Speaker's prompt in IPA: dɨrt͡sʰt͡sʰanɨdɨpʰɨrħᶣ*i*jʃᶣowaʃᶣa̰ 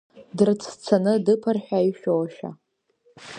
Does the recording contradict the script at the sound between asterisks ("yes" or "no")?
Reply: yes